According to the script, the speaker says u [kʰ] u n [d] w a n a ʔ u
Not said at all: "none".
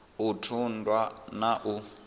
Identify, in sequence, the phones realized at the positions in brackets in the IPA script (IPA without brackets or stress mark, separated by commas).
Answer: tʰ, d